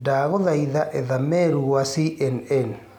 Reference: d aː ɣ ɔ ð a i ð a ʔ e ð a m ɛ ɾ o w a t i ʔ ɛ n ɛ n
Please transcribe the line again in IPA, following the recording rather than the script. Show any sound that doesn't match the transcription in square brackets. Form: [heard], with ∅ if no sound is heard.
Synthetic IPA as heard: d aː ɣ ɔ ð a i ð a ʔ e ð a m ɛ ɾ [u] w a [s] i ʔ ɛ n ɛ n